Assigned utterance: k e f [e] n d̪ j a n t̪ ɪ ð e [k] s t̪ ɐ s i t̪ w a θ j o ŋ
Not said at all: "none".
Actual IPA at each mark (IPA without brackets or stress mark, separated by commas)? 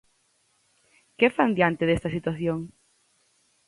a, none